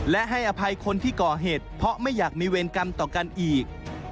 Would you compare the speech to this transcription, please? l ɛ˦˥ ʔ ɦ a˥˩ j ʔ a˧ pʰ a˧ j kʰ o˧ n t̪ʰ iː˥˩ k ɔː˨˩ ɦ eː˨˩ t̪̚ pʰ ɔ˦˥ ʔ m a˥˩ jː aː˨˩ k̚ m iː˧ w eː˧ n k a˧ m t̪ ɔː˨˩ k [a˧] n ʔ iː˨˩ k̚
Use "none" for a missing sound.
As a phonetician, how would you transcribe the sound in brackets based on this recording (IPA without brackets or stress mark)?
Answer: a˧